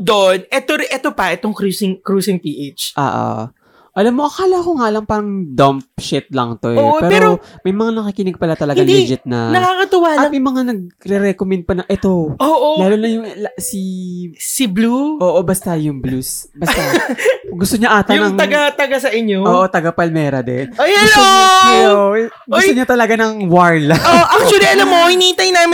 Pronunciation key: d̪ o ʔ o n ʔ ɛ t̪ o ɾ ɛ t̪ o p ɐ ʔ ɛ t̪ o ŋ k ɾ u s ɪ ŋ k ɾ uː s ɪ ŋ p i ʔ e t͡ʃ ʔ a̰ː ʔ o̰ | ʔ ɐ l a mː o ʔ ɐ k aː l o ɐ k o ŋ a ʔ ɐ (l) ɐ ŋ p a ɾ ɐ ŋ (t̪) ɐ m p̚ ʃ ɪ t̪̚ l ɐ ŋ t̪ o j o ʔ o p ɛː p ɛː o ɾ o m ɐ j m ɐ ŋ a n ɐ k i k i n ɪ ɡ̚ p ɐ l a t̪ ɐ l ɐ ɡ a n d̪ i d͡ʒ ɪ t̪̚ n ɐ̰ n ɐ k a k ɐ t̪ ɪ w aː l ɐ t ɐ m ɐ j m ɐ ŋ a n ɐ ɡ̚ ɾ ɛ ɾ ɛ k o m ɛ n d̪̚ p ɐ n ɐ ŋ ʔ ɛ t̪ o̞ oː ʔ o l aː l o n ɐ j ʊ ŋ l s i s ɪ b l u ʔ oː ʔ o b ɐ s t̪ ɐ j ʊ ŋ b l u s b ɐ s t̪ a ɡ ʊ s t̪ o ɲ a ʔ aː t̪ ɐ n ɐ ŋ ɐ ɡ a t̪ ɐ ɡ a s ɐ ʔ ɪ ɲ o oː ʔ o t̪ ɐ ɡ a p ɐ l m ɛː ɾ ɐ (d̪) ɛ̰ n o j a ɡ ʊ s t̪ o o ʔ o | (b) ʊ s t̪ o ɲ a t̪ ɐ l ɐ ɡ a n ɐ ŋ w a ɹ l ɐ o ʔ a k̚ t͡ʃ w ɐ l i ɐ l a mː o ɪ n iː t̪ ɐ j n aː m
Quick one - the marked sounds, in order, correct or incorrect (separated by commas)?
correct, incorrect, correct, incorrect